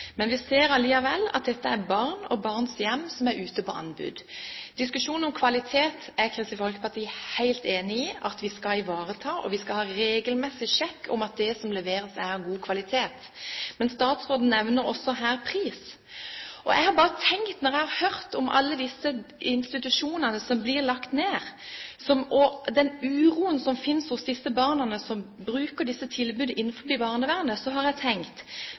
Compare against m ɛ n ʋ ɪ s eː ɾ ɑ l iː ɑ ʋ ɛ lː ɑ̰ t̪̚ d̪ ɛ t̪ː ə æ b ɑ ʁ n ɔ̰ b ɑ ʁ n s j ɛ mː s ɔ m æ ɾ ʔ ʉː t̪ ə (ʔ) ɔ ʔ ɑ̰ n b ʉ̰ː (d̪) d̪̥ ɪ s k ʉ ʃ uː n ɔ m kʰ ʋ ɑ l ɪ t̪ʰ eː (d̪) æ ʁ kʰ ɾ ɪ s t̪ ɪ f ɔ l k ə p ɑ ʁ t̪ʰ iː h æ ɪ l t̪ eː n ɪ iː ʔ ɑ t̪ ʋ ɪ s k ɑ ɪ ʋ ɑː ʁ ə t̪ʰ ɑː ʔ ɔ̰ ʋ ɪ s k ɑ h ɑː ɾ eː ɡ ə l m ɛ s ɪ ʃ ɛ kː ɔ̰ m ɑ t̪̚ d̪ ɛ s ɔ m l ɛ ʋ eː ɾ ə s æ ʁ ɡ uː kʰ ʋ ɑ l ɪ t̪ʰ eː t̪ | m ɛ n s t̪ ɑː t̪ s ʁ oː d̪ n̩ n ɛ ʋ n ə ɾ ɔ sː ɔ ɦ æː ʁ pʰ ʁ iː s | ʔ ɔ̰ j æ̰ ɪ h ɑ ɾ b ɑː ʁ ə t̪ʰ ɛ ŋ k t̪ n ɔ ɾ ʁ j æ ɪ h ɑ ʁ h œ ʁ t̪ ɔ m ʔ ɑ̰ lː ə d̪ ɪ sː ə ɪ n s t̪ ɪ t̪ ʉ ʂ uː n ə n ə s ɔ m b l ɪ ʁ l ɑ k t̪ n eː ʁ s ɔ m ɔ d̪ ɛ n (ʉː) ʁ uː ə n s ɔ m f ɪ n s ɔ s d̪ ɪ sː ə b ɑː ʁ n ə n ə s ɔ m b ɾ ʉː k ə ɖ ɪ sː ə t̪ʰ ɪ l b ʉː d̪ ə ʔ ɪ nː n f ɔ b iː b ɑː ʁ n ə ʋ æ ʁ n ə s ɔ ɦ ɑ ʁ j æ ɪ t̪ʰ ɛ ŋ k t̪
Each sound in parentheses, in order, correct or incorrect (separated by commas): incorrect, correct, incorrect, correct